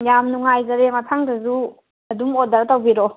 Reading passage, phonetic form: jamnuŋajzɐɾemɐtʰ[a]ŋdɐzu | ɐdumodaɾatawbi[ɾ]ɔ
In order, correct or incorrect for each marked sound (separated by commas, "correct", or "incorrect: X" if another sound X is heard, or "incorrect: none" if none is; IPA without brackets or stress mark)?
correct, correct